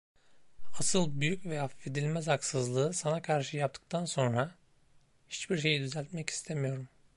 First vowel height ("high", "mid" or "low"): low